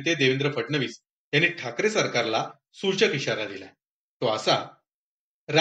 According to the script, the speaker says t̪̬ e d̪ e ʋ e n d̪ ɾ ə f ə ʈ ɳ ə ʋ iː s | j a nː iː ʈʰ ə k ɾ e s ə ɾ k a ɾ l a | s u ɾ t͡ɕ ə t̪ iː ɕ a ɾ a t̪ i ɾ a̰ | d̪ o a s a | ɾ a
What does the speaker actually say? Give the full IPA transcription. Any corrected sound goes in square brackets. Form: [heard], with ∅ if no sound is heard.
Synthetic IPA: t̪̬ e d̪ e ʋ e n d̪ ɾ ə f ə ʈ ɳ ə ʋ iː s | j a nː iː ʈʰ [a] k ɾ e s ə ɾ k a ɾ l a | s u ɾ t͡ɕ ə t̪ [i] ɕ a ɾ a [d̪] i [l] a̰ | [t̪] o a s a | ɾ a